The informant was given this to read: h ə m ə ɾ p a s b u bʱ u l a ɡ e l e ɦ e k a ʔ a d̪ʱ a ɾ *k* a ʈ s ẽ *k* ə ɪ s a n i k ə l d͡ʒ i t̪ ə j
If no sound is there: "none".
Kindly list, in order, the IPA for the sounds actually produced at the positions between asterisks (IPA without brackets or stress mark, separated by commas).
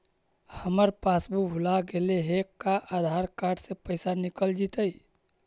k, p